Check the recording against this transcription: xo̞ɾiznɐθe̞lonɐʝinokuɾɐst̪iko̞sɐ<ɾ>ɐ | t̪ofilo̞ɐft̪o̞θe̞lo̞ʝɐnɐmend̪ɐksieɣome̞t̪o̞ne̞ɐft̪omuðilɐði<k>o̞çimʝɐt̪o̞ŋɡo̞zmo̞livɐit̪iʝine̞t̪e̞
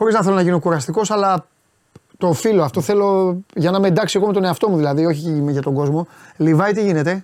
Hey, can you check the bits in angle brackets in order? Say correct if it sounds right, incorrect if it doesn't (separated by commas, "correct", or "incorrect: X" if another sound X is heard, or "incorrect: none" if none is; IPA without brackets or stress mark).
incorrect: l, incorrect: none